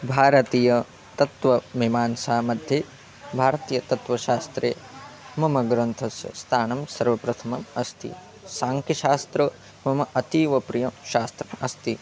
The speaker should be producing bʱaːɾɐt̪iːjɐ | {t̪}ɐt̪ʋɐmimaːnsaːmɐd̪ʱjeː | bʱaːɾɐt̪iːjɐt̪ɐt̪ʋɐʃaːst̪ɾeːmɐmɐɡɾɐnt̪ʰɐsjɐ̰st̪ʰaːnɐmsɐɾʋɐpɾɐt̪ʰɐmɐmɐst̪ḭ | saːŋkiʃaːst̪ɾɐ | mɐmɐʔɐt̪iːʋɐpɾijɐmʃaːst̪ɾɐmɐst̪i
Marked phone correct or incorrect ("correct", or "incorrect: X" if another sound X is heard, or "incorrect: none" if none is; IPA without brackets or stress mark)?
correct